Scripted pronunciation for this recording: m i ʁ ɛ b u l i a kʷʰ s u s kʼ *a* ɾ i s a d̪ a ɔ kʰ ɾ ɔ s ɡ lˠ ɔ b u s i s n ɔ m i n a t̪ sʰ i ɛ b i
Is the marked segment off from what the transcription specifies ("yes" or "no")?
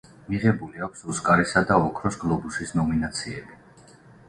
no